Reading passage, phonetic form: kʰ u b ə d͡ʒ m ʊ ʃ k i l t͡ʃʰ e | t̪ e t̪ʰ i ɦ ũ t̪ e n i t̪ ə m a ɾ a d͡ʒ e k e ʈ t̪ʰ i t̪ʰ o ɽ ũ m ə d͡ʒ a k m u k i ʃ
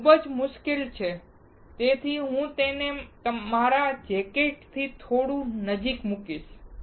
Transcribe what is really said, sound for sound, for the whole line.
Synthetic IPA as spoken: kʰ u b ə d͡ʒ m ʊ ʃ k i l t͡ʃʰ e | t̪ e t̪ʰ i ɦ ũ t̪ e n e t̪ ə m a ɾ a d͡ʒ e k e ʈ t̪ʰ i t̪ʰ o ɽ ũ n ə d͡ʒ i k m u k i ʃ